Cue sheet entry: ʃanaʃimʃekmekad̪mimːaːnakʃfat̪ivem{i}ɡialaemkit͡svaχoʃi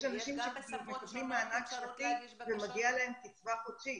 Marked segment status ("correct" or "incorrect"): incorrect